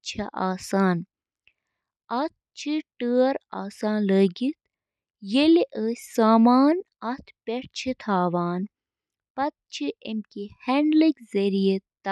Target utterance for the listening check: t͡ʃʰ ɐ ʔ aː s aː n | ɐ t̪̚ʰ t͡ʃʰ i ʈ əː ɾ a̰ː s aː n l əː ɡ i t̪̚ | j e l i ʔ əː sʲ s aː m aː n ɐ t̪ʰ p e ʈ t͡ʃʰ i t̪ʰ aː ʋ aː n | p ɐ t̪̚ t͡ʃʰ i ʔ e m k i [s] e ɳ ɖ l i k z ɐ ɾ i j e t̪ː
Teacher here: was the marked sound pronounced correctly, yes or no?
no